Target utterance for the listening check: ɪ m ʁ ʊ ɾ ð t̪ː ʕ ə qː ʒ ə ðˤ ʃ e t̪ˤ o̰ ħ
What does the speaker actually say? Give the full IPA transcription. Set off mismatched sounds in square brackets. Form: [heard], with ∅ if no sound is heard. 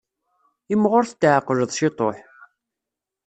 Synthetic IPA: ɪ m ʁ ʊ ɾ [θ] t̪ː ʕ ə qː ʒ ə ðˤ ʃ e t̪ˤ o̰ ħ